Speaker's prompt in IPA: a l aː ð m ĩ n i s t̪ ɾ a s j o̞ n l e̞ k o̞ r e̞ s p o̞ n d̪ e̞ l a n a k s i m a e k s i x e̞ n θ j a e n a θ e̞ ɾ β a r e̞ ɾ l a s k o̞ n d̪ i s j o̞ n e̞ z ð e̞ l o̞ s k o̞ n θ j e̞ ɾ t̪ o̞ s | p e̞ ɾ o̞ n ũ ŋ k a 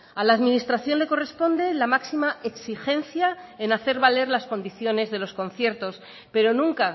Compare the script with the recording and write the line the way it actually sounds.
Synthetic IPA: a l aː ð m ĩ n i s t̪ ɾ a θ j o̞ n l e̞ k o̞ r e̞ s p o̞ n d̪ e̞ l a m a k s i m a e k s i x e̞ n θ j a e n a θ e̞ ɾ β a l e̞ ɾ l a s k o̞ n d̪ i θ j o̞ n e̞ z ð e̞ l o̞ s k o̞ n θ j e̞ ɾ t̪ o̞ s | p e̞ ɾ o̞ n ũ ŋ k a

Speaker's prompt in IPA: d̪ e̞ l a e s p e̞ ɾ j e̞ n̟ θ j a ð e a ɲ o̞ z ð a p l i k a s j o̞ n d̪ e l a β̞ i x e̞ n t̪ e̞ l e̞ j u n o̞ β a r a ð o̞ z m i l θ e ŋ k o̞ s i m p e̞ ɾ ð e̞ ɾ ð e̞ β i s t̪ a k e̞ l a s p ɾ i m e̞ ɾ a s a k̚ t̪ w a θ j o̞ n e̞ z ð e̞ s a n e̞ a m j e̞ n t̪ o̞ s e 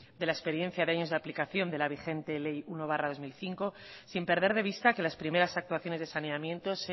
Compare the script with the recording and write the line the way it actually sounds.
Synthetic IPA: d̪ e̞ l a e s p e̞ ɾ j e̞ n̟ θ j a ð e a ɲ o̞ z ð a p l i k a θ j o̞ n d̪ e l a β̞ i x e̞ n t̪ e̞ l e̞ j u n o̞ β a r a ð o̞ z m i l θ i ŋ k o̞ s i m p e̞ ɾ ð e̞ ɾ ð e̞ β i s t̪ a k e̞ l a s p ɾ i m e̞ ɾ a s a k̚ t̪ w a θ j o̞ n e̞ z ð e̞ s a n e̞ a m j e̞ n t̪ o̞ s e

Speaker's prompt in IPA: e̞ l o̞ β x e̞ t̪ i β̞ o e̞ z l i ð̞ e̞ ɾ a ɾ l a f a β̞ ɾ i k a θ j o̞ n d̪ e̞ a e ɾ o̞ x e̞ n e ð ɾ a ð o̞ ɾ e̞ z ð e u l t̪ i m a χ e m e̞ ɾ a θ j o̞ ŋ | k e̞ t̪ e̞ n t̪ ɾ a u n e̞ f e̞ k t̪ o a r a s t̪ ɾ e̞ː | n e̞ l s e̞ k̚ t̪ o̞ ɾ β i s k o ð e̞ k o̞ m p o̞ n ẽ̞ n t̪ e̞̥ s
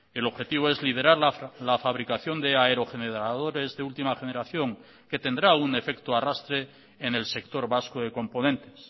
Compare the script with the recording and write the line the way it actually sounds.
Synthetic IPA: e̞ l o̞ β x e̞ t̪ i β̞ o e̞ z l i ð̞ e̞ ɾ a ɾ l a f a β̞ ɾ i k a θ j o̞ n d̪ e̞ a e ɾ o̞ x e̞ n e ð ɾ a ð o̞ ɾ e̞ z ð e u l t̪ i m a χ e n e̞ ɾ a θ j o̞ ŋ | k e̞ t̪ e̞ n d̪ ɾ a u n e̞ f e̞ k t̪ o a r a s t̪ ɾ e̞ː | n e̞ l s e̞ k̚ t̪ o̞ ɾ β a s k o ð e̞ k o̞ m p o̞ n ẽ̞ n t̪ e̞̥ s

